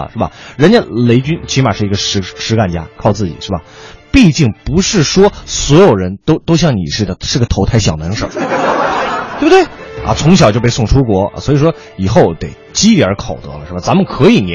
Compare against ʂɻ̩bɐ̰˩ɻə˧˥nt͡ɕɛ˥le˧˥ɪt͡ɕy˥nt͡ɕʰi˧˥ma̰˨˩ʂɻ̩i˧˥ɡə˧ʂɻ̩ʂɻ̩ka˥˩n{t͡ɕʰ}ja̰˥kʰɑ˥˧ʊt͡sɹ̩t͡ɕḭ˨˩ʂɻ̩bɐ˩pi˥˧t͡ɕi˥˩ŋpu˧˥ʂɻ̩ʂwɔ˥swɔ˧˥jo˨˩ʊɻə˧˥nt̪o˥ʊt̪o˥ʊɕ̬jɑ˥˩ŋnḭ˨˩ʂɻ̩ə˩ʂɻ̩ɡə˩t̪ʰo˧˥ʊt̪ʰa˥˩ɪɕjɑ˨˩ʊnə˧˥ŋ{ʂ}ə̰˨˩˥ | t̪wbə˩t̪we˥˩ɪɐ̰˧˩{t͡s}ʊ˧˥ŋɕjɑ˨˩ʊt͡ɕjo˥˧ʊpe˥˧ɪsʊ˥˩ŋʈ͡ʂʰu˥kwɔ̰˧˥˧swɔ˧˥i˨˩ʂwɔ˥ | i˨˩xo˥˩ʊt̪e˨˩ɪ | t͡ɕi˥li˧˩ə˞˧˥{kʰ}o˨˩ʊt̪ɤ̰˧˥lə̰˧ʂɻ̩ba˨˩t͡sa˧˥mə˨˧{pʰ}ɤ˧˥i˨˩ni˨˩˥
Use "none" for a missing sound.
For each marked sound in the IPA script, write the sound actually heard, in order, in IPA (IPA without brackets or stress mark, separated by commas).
t͡ɕ, ʂ, t͡sʰ, kʰ, kʰ